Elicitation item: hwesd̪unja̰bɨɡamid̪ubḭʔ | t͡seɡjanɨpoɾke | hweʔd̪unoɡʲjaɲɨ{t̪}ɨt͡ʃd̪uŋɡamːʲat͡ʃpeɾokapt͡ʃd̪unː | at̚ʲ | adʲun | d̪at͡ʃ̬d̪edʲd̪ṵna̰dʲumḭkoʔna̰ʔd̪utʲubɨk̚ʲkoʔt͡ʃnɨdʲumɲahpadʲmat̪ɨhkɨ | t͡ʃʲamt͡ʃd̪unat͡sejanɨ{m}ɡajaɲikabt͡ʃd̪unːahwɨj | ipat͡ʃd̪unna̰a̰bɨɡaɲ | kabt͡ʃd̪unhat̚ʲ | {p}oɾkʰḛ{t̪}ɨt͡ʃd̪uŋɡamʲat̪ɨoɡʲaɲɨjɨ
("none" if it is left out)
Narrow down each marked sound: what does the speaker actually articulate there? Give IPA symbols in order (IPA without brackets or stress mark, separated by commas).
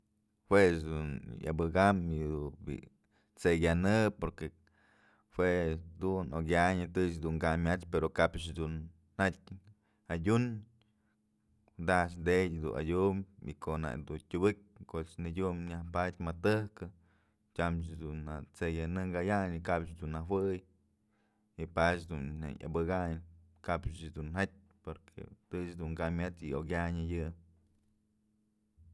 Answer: t̪, ŋ, p, t̪